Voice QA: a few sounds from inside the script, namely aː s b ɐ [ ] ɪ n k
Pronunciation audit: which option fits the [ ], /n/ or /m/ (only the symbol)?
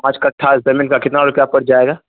m